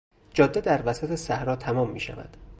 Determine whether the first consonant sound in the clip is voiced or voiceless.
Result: voiced